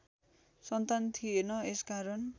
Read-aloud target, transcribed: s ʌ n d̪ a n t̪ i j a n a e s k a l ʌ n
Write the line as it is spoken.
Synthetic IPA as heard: s ʌ n t̪ a n t̪ʰ i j e n ʌ e s k a ɾ ʌ n